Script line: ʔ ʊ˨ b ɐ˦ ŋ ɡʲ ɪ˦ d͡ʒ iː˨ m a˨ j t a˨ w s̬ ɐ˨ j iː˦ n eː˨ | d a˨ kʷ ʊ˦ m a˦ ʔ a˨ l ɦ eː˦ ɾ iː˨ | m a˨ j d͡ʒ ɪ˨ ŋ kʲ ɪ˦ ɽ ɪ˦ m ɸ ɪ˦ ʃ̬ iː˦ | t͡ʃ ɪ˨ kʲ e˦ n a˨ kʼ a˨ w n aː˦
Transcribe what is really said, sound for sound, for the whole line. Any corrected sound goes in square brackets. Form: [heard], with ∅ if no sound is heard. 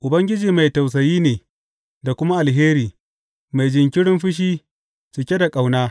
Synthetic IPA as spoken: ʔ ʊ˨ b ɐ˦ ŋ ɡʲ ɪ˦ d͡ʒ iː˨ m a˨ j t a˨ w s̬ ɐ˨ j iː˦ n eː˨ | d a˨ kʷ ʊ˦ m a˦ ʔ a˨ l ɦ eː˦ ɾ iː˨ | m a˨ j d͡ʒ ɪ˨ ŋ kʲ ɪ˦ ɽ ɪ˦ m ɸ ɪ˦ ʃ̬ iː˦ | t͡ʃ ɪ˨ kʲ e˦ [d] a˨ kʼ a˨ w n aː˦